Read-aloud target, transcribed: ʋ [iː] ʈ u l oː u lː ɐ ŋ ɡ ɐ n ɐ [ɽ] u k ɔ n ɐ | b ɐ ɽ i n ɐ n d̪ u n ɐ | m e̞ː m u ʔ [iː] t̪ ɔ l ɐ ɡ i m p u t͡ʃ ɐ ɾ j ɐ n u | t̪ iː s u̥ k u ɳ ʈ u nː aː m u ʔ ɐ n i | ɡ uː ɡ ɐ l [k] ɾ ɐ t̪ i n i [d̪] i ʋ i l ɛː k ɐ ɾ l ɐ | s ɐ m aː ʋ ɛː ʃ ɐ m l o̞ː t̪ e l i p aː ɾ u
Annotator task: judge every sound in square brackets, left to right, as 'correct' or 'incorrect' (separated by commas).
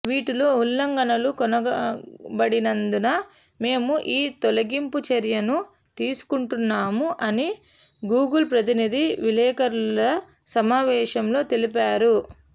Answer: correct, incorrect, correct, incorrect, correct